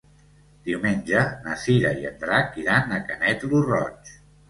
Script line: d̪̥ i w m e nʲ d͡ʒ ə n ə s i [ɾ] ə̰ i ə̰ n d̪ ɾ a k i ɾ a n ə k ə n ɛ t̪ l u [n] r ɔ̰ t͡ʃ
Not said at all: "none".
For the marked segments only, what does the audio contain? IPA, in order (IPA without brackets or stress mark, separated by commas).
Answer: ɾ, none